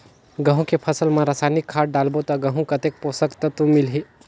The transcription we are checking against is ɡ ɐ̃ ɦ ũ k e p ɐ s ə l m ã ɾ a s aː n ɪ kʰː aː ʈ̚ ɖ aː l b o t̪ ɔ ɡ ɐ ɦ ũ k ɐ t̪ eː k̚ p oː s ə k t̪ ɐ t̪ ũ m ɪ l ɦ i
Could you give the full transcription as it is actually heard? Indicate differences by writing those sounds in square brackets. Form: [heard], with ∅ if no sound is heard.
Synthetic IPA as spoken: ɡ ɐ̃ ɦ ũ k e [pʰ] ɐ s ə l m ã ɾ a s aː n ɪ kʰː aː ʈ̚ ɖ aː l b o t̪ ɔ ɡ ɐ ɦ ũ k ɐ t̪ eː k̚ p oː s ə k t̪ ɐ t̪ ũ m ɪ l ɦ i